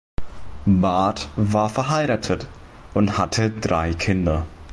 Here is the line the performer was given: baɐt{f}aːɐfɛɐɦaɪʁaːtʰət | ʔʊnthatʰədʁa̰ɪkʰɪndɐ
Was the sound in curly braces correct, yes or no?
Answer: no